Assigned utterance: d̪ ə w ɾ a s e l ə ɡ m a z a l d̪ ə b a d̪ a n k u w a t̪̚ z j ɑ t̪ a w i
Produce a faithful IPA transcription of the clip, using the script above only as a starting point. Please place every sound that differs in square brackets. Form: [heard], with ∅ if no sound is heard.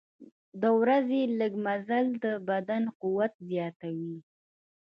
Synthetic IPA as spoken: d̪ ə w ɾ a [z] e l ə ɡ m a z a l d̪ ə b a d̪ a n [q] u w a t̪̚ z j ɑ t̪ a w i